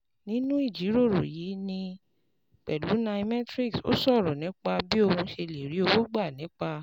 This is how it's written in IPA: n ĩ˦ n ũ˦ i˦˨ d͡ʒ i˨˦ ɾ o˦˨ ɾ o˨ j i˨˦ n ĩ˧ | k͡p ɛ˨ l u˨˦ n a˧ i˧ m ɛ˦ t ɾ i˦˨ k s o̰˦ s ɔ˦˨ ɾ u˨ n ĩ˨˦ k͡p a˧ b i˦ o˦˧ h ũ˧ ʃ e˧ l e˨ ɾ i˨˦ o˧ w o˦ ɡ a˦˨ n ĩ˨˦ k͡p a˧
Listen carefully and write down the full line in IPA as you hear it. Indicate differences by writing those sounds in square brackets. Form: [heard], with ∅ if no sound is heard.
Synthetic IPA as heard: n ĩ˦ n ũ˦ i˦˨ d͡ʒ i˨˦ ɾ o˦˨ ɾ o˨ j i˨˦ n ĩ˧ | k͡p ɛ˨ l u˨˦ n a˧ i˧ m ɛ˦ t ɾ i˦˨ k s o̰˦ s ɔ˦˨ ɾ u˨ n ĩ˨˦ k͡p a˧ b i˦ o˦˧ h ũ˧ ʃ e˧ l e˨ ɾ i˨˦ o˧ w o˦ [ɡ͡b] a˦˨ n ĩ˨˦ k͡p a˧